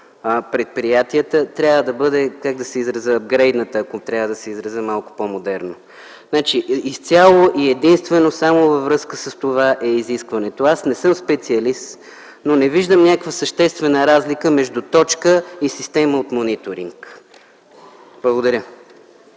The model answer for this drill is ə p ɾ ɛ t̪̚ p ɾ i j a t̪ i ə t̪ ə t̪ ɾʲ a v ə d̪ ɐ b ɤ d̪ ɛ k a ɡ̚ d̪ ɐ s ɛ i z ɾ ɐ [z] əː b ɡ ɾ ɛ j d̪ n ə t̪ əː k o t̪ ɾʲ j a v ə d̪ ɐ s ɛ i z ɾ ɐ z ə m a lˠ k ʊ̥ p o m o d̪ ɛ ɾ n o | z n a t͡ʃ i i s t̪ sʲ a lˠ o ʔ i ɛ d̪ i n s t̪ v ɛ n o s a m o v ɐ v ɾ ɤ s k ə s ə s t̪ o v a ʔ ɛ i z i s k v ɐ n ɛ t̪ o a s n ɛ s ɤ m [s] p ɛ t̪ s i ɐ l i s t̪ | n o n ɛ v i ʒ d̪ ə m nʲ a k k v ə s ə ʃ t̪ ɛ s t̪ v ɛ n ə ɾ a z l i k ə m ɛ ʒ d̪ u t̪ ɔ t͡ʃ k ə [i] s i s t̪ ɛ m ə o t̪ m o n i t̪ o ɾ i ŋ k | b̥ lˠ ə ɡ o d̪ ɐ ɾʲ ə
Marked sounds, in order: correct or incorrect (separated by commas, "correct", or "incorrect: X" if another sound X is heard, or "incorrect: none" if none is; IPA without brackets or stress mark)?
correct, correct, correct